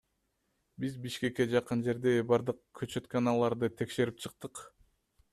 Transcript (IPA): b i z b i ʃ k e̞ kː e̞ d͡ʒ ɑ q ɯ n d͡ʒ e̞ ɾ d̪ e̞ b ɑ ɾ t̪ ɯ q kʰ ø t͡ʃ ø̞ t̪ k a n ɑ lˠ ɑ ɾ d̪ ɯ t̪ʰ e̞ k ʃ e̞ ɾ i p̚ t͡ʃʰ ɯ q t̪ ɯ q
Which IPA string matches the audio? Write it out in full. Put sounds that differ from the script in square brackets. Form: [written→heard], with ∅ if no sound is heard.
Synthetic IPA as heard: b i z b i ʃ k e̞ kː e̞ d͡ʒ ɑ q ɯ n d͡ʒ e̞ ɾ d̪ e̞ b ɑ ɾ [t̪→d̪] ɯ q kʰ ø t͡ʃ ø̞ t̪ k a n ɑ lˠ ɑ ɾ d̪ ɯ t̪ʰ e̞ k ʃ e̞ ɾ i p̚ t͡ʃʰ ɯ q t̪ ɯ q